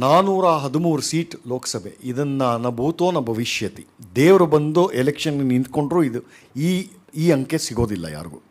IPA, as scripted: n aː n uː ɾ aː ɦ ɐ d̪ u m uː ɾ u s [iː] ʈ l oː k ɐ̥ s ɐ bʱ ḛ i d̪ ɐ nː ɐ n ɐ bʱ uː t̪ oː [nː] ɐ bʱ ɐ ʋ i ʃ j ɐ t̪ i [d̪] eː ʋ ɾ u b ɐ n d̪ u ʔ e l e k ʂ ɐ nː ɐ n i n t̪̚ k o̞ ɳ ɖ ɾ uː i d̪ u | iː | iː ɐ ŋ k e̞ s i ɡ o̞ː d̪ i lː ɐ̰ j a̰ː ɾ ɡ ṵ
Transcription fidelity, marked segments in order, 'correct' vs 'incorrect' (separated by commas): correct, incorrect, correct